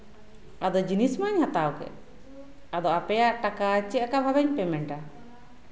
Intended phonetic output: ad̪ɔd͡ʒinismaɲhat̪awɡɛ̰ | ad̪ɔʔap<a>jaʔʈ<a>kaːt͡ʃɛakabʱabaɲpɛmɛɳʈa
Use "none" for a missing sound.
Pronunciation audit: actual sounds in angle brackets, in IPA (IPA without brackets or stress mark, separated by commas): ɛ, a